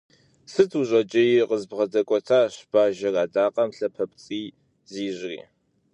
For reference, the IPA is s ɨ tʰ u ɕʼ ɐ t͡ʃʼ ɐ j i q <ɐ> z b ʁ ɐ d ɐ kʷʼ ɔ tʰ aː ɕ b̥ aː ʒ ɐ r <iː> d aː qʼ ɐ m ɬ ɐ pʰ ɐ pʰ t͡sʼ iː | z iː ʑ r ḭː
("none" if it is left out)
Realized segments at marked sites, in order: ə, aː

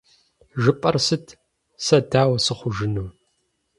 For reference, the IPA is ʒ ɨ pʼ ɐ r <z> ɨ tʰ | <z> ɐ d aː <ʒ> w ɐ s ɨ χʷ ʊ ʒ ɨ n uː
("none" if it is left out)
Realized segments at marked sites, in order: s, s, none

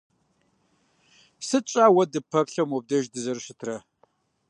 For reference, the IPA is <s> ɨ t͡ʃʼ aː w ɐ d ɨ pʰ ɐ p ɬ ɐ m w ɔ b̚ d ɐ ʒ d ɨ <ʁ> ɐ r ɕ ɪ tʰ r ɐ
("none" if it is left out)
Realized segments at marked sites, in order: s, z

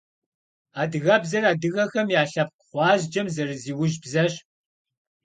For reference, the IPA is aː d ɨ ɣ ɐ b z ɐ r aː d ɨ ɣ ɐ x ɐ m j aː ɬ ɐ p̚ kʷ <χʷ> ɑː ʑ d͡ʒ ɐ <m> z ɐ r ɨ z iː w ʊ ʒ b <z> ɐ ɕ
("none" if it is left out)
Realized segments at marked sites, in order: χʷ, m, z

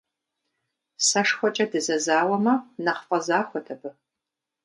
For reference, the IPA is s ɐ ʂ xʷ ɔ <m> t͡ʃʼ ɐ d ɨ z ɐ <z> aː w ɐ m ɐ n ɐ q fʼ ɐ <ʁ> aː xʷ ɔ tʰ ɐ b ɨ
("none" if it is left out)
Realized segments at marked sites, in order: none, z, z

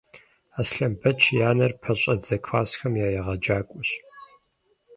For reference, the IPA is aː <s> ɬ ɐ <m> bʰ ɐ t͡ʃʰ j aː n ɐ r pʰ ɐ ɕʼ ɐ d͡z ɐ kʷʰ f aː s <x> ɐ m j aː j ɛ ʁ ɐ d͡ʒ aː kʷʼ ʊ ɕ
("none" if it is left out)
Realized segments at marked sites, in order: s, m, x

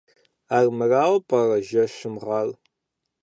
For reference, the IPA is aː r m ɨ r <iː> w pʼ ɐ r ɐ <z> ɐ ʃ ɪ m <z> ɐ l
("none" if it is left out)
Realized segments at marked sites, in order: aː, ʒ, ʁ

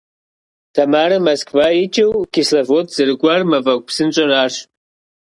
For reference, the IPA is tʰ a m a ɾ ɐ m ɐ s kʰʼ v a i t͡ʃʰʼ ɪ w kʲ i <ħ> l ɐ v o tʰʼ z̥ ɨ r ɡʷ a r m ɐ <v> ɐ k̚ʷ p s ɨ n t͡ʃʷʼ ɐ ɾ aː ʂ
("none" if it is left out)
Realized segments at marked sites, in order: s, v

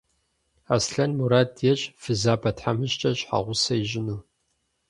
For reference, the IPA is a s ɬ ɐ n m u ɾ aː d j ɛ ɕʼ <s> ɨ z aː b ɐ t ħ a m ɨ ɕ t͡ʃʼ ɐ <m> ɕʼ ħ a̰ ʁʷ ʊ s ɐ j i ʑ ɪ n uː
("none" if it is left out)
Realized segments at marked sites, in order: f, none

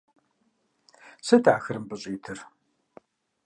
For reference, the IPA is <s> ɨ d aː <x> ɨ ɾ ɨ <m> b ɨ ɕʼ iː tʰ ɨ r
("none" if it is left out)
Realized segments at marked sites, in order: s, x, m

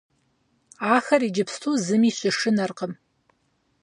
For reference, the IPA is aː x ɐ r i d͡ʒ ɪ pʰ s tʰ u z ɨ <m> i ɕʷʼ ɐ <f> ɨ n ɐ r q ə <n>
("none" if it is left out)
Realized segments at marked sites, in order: m, ʂ, m

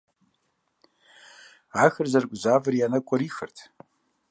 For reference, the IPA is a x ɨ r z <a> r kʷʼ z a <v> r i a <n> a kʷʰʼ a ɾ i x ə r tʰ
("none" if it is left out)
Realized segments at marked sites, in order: a, v, n

